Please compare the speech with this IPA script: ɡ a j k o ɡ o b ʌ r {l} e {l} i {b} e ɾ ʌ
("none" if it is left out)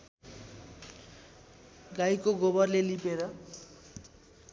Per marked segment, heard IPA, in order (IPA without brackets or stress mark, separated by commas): l, l, p